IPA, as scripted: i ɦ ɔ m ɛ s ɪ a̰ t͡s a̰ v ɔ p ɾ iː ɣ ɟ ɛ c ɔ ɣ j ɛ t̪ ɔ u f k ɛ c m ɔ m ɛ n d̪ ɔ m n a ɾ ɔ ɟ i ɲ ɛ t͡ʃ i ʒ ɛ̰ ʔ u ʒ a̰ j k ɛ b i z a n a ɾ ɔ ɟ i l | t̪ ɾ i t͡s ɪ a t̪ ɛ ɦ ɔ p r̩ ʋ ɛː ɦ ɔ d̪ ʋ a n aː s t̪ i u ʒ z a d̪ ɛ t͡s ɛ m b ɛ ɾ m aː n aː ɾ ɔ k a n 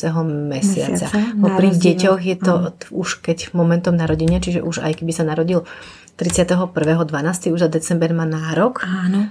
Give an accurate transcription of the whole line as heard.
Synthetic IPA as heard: ɛ ɦ ɔ m ɛ s ɪ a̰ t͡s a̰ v ɔ p ɾ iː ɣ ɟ ɛ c ɔ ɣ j ɛ t̪ ɔ u ʃ k ɛ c m ɔ m ɛ n t̪ ɔ m n a ɾ ɔ ɟ i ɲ ɛ t͡ʃ i ʒ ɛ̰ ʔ u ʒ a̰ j k ɛ b i s a n a ɾ ɔ ɟ i l | t̪ ɾ i t͡s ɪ a t̪ ɛ ɦ ɔ p r̩ ʋ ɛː ɦ ɔ d̪ ʋ a n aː s t̪ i u ʒ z a d̪ ɛ t͡s ɛ m b ɛ ɾ m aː n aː ɾ ɔ k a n